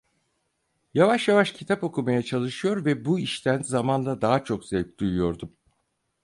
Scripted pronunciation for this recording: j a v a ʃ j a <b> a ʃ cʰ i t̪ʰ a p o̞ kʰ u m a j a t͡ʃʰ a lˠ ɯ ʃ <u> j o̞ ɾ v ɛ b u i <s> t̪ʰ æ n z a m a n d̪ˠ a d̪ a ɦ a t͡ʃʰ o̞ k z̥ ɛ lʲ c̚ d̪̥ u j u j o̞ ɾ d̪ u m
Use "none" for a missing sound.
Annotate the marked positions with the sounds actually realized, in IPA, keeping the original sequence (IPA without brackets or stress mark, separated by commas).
v, ɯ, ʃ